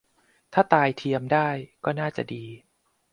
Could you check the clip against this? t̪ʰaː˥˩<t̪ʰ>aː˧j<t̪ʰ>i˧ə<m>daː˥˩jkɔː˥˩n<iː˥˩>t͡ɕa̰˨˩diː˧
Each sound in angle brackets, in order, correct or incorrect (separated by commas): incorrect, correct, correct, incorrect